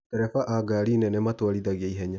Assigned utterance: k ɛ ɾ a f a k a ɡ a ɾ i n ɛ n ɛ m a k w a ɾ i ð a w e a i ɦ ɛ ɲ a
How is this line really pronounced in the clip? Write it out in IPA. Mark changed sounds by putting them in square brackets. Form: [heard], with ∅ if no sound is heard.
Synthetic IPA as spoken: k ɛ ɾ [ɛ] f a [ʔ] a ɡ a ɾ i n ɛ n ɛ m a [t] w a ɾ i ð a [ɣ] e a i ɦ ɛ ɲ a